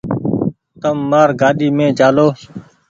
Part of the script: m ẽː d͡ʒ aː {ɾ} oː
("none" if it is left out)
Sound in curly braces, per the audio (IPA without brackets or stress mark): l